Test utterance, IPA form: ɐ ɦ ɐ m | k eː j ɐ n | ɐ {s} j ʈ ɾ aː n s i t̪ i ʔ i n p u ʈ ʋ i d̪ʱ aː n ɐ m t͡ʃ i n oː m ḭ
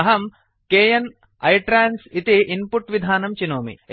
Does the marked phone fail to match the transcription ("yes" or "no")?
yes